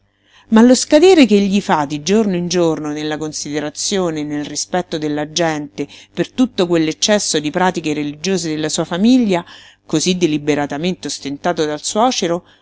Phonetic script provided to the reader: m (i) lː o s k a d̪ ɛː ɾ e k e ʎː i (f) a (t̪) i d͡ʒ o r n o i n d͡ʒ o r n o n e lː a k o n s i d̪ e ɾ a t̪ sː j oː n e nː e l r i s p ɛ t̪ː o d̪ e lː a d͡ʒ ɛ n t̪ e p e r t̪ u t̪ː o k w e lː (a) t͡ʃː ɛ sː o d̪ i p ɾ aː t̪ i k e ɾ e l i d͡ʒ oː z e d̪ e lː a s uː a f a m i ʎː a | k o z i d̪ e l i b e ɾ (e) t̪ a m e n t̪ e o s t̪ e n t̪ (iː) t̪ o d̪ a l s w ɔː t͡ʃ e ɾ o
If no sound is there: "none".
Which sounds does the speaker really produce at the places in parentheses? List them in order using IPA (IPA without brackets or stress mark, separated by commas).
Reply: a, f, d̪, e, a, aː